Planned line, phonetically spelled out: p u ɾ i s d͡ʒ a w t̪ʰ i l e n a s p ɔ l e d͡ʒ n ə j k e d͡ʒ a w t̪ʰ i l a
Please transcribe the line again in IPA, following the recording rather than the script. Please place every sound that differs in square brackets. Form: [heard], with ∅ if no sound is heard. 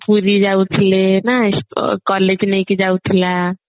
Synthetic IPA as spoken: p u ɾ i [∅] d͡ʒ a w t̪ʰ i l e n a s [k] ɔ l e d͡ʒ n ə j k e d͡ʒ a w t̪ʰ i l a